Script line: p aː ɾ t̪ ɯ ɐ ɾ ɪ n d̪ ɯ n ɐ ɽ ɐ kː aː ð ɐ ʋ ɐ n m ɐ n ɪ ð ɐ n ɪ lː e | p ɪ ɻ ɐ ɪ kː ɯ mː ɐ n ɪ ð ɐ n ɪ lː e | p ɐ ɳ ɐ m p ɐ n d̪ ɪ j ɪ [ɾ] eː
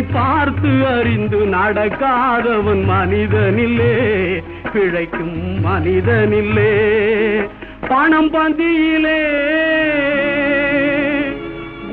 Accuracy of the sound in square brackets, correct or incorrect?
incorrect